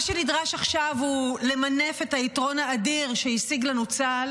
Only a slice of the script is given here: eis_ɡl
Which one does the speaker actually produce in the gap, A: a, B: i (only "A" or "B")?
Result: B